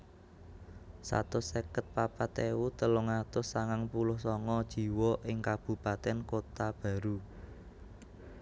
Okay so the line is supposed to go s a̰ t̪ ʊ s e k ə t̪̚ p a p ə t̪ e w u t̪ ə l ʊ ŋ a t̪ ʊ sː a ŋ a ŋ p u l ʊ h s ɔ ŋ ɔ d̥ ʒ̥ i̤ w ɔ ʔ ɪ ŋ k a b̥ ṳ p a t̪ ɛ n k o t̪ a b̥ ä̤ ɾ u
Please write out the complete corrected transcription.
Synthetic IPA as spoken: s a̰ t̪ ʊ s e k ə t̪̚ p a p a t̪ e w u t̪ ə l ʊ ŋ a t̪ ʊ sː a ŋ a ŋ p u l ʊ h s ɔ ŋ ɔ d̥ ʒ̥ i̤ w ɔ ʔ ɪ ŋ k a b̥ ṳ p a t̪ ɛ n k o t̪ a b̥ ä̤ ɾ u